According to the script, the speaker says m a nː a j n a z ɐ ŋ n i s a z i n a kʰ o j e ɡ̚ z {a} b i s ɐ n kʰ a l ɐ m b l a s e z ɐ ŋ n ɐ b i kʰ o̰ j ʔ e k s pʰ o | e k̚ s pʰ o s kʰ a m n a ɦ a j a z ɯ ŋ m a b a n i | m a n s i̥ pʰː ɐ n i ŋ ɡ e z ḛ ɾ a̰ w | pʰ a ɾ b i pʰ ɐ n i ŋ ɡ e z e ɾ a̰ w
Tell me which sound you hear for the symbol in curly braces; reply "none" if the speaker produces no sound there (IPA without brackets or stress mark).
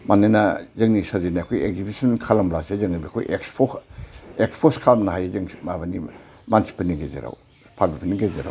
i